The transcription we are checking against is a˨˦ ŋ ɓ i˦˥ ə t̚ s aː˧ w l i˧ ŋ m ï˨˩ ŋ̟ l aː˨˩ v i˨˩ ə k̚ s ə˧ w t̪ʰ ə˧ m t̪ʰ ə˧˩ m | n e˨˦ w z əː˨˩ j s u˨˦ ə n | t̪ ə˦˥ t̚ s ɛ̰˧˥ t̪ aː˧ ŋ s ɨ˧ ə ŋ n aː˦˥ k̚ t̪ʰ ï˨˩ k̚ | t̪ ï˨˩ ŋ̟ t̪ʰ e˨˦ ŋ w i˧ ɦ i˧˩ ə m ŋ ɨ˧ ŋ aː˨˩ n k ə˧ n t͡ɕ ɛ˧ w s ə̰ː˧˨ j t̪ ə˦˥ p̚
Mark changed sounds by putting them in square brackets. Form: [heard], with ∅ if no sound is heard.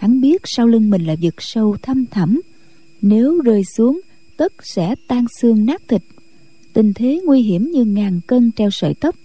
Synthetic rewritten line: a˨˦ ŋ ɓ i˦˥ ə t̚ s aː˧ w l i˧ ŋ m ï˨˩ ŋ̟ l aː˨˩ v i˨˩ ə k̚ s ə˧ w t̪ʰ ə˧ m t̪ʰ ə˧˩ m | n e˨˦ w z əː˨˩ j s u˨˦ ə [ŋ] | t̪ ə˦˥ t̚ s ɛ̰˧˥ t̪ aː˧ ŋ s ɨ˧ ə ŋ n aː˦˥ k̚ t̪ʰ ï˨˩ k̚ | t̪ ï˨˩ ŋ̟ t̪ʰ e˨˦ ŋ w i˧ ɦ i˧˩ ə m [ɲ] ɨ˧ ŋ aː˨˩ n k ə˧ n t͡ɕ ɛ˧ w s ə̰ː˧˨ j t̪ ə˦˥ p̚